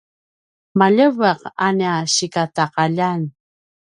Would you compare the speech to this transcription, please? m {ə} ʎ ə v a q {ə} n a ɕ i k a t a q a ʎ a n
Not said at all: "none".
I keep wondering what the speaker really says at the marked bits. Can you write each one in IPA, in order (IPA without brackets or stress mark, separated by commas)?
a, a